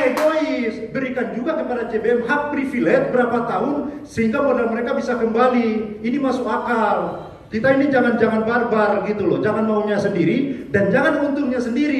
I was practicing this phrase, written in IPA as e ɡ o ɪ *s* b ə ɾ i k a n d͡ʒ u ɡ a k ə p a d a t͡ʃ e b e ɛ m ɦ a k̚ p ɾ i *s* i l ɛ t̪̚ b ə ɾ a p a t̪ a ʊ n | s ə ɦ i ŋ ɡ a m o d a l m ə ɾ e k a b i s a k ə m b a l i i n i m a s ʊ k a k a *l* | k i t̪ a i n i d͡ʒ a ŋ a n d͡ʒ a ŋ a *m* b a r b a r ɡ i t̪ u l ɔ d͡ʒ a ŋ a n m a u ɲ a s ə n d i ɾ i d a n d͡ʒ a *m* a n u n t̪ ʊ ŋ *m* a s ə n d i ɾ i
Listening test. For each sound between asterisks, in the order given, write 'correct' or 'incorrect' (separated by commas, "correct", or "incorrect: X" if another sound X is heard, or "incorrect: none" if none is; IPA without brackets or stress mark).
correct, incorrect: f, correct, incorrect: n, incorrect: ŋ, incorrect: ɲ